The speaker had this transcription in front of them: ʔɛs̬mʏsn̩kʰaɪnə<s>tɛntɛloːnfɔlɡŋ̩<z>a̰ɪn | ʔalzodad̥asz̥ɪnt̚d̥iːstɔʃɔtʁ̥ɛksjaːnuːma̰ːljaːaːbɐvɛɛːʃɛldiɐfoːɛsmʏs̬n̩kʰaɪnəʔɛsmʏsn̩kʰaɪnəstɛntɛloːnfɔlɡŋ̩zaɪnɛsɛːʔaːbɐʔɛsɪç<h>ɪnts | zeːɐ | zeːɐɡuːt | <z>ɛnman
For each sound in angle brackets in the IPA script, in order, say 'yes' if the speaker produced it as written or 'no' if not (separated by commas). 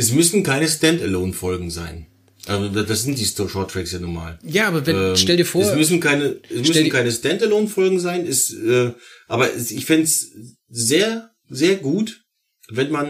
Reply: yes, yes, no, no